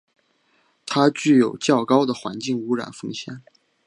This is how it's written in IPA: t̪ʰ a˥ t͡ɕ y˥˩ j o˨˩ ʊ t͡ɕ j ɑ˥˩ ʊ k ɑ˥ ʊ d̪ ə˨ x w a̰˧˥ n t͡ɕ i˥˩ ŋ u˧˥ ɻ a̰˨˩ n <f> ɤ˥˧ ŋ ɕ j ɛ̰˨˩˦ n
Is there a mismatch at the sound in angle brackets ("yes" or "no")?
no